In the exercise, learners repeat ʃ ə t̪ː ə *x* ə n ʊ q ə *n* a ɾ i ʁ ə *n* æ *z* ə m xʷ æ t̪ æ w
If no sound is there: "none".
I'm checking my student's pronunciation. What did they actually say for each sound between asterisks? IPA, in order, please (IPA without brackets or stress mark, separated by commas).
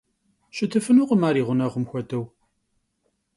f, m, n, ʁ